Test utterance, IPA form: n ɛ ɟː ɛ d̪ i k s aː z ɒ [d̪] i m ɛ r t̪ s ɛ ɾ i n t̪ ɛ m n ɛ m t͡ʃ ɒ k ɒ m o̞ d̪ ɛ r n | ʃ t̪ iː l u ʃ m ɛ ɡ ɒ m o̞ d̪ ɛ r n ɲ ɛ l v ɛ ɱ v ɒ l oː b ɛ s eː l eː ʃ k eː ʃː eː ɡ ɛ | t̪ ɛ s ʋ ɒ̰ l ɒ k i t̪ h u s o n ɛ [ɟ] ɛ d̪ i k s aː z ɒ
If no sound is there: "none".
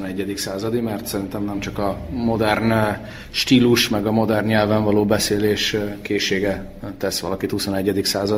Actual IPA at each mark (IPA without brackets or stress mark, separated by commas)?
d̪, ɟː